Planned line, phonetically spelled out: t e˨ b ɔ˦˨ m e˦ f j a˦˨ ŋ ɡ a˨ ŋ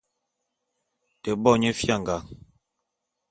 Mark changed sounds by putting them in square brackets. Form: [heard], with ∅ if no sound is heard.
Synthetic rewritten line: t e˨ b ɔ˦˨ [ɲ] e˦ f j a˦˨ ŋ ɡ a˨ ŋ